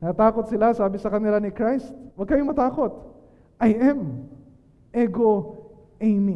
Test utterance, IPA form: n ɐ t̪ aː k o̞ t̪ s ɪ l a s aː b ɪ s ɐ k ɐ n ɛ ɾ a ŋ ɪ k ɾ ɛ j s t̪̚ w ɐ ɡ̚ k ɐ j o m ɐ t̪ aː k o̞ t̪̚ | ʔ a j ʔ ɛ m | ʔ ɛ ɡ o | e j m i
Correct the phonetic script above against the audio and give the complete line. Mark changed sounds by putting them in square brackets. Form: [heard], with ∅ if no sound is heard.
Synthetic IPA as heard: n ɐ t̪ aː k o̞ t̪ s ɪ l a s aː b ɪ s ɐ k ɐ [m] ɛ ɾ a [n] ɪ k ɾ [a] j s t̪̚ w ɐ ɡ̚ k ɐ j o m ɐ t̪ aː k o̞ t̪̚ | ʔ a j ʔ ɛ m | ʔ ɛ ɡ o | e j m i